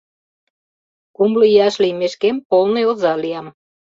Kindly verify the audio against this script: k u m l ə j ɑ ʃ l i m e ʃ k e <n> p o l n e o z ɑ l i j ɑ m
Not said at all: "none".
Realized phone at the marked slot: m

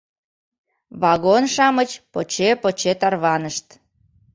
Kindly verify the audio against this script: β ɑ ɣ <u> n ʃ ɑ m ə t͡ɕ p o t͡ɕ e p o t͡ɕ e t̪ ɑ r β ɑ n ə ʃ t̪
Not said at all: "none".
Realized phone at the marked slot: o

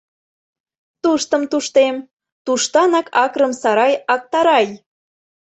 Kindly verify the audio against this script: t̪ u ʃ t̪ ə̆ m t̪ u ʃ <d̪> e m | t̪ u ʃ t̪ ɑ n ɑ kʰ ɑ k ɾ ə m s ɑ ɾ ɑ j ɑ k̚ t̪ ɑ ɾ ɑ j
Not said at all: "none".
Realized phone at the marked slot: t̪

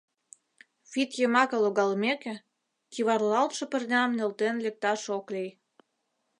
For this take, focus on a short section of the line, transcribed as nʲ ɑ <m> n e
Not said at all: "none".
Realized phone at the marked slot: m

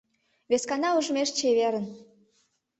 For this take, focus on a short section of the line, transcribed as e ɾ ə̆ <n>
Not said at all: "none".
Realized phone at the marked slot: n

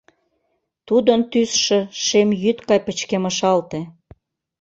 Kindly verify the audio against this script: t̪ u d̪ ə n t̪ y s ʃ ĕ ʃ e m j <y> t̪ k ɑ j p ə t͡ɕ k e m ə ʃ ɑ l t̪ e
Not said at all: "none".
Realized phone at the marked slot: y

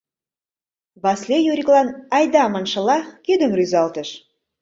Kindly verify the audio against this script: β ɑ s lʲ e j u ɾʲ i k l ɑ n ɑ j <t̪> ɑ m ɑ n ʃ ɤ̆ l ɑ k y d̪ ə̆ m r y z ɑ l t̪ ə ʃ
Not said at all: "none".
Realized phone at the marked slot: d̪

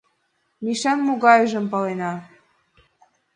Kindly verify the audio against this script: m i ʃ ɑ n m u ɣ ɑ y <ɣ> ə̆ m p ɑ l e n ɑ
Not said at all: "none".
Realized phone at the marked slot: ʒ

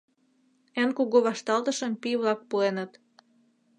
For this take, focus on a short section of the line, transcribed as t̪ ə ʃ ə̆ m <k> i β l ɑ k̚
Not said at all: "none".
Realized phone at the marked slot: p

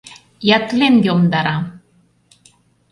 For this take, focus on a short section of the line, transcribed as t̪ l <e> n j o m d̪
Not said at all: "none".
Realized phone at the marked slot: e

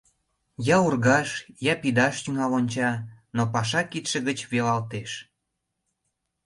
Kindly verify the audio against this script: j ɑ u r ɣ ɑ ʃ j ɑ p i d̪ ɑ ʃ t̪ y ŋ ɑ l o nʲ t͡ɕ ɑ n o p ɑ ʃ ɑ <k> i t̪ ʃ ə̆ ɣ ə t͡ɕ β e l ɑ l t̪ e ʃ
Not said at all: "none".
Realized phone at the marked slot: k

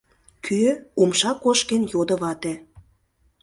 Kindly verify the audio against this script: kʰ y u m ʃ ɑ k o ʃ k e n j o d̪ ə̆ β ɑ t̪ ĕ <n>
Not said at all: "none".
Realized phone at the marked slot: none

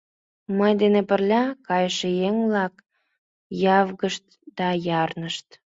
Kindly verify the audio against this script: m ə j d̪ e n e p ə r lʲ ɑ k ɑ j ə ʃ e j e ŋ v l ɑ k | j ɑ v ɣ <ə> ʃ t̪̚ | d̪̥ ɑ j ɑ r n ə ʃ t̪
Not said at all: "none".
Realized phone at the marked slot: ə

